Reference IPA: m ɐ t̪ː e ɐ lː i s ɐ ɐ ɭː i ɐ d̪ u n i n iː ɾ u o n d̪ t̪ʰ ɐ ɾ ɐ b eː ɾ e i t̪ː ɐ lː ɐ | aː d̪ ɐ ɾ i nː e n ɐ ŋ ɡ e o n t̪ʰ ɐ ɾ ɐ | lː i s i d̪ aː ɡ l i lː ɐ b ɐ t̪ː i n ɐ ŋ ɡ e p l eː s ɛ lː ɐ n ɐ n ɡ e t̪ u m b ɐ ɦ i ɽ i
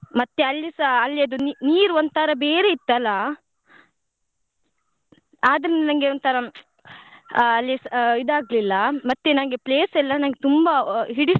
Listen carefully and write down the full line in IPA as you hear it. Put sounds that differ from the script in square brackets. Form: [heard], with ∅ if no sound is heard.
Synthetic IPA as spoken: m ɐ t̪ː e ɐ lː i s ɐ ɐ [lː] i ɐ d̪ u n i n iː ɾ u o n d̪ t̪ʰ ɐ ɾ ɐ b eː ɾ e i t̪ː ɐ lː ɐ | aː d̪ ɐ ɾ i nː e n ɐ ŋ ɡ e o n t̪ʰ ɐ ɾ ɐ | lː i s i d̪ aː ɡ l i lː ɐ [m] ɐ t̪ː [e] n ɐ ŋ ɡ e p l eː s ɛ lː ɐ n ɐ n ɡ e t̪ u m b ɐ ɦ i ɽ i

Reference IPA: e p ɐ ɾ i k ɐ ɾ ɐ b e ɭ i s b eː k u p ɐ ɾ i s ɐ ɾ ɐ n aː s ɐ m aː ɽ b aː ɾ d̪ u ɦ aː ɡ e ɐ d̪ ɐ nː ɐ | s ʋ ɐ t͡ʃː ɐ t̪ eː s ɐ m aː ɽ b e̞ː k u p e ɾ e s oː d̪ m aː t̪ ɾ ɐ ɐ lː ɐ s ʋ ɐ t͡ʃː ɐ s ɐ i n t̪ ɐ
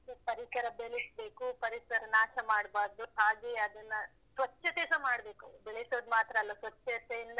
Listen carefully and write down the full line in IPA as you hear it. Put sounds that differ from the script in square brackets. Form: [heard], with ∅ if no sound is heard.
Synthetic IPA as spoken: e p ɐ ɾ i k ɐ ɾ ɐ b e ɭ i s b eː k u p ɐ ɾ i s ɐ ɾ ɐ n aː [ʃ] ɐ m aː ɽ b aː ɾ d̪ u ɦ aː ɡ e ɐ d̪ ɐ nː ɐ | s ʋ ɐ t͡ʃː ɐ t̪ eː s ɐ m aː ɽ b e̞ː k u [b] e [ɭ] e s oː d̪ m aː t̪ ɾ ɐ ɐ lː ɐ s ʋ ɐ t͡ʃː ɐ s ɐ i n [d̪] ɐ

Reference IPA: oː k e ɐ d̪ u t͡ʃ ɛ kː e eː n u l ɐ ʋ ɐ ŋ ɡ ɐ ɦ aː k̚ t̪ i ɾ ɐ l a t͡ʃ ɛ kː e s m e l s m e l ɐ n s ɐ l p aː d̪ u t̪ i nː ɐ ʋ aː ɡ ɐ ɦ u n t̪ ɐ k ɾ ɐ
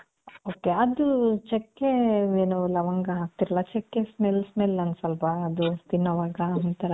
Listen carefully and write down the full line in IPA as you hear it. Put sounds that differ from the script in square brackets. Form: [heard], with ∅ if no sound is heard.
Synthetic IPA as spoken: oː k e ɐ d̪ u t͡ʃ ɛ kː e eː n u l ɐ ʋ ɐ ŋ ɡ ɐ ɦ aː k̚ t̪ i ɾ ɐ l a t͡ʃ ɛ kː e s m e l s m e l ɐ n s ɐ l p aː d̪ u t̪ i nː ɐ ʋ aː ɡ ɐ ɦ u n t̪ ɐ [∅] ɾ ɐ

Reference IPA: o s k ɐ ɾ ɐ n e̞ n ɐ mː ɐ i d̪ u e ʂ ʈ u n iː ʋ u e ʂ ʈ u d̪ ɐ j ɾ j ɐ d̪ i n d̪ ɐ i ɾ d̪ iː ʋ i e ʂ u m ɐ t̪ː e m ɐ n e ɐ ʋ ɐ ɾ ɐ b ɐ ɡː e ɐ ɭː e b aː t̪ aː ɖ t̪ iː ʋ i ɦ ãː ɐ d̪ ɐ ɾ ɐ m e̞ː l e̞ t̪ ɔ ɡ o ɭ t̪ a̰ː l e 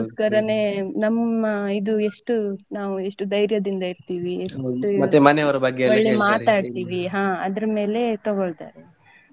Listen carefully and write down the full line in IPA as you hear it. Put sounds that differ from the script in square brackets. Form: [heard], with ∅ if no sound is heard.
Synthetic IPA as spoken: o s k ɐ ɾ ɐ n e̞ n ɐ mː ɐ i d̪ u e ʂ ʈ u n [aː] ʋ u e ʂ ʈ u d̪ ɐ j ɾ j ɐ d̪ i n d̪ ɐ i ɾ [t̪] iː ʋ i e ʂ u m ɐ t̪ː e m ɐ n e ɐ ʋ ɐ ɾ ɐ b ɐ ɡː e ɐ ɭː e [m] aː t̪ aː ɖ t̪ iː ʋ i ɦ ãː ɐ d̪ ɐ ɾ ɐ m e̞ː l e̞ t̪ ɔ ɡ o ɭ t̪ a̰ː [ɾ] e

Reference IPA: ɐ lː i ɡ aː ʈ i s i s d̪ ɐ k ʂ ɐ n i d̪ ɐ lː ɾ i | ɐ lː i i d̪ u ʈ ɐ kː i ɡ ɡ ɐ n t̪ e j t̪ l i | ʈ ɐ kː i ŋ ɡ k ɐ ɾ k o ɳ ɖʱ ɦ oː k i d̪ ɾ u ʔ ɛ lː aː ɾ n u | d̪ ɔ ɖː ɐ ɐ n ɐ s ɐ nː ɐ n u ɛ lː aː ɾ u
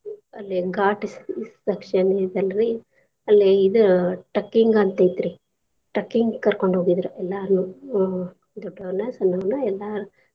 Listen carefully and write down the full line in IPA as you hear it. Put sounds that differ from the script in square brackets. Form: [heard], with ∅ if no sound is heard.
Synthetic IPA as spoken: ɐ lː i ɡ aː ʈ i s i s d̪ ɐ k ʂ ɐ n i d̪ ɐ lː ɾ i | ɐ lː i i d̪ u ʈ ɐ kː i [ŋ] ɡ ɐ n t̪ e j t̪ [ɾ] i | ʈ ɐ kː i ŋ ɡ k ɐ ɾ k o ɳ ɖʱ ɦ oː [ɡ] i d̪ ɾ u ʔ ɛ lː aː ɾ n u | d̪ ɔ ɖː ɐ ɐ n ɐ s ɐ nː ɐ n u ɛ lː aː ɾ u

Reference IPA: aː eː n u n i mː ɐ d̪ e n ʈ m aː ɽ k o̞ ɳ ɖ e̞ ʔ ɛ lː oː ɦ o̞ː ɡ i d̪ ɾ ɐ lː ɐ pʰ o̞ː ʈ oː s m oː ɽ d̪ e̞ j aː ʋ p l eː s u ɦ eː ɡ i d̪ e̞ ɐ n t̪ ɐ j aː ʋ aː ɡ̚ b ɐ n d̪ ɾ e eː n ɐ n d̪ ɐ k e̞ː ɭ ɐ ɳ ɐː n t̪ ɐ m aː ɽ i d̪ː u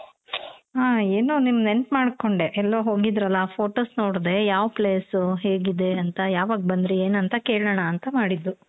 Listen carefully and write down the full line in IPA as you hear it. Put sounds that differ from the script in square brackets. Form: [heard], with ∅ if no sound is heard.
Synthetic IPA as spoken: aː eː n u n i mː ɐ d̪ e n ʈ m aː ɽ k o̞ ɳ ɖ e̞ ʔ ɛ lː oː ɦ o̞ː ɡ i d̪ ɾ ɐ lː ɐ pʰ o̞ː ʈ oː s [n] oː ɽ d̪ e̞ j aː ʋ p l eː s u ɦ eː ɡ i d̪ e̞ ɐ n t̪ ɐ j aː ʋ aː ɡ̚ b ɐ n d̪ ɾ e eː n ɐ n [t̪] ɐ k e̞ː ɭ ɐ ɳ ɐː n t̪ ɐ m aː ɽ i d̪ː u

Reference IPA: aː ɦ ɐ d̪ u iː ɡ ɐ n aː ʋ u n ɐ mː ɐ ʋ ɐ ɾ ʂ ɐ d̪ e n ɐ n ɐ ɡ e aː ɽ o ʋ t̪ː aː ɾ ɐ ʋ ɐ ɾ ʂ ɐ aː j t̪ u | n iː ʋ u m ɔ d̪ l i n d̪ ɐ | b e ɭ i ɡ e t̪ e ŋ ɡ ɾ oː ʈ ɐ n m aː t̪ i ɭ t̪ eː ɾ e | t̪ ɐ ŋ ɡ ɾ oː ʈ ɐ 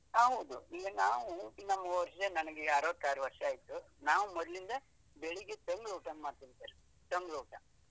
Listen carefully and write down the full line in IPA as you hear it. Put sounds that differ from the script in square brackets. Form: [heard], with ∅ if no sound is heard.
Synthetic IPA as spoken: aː ɦ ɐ d̪ u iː ɡ ɐ n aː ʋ u n ɐ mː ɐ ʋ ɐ ɾ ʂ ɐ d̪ e n ɐ n ɐ ɡ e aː [ɾ] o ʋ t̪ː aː ɾ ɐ ʋ ɐ ɾ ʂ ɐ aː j t̪ u | n [aː] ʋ u m ɔ d̪ l i n d̪ ɐ | b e ɭ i ɡ e t̪ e ŋ ɡ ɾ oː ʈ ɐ n m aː t̪ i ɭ t̪ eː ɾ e | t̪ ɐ ŋ ɡ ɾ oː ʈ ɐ

